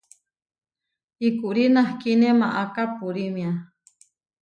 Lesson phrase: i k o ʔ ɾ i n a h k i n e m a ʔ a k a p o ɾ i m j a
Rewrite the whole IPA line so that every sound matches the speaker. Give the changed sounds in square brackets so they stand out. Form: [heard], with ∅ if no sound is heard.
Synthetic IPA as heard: i k [u] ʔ ɾ i n a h k i n e m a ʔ a k a p [u] ɾ i m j a